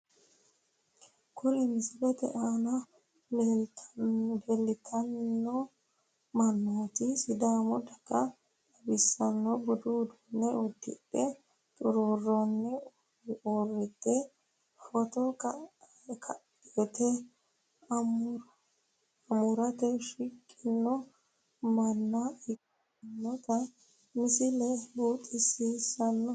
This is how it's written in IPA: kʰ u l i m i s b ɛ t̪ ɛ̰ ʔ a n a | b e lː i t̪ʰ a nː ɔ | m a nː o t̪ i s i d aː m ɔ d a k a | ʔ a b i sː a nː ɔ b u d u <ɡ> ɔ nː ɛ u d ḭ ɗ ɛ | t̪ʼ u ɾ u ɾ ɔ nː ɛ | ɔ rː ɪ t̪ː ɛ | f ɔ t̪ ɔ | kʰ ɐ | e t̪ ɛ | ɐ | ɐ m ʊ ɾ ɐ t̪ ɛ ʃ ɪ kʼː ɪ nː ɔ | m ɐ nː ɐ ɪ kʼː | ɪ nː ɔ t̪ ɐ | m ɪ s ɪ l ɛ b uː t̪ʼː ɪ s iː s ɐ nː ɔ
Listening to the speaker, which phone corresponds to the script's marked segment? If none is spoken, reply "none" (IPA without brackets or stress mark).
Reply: d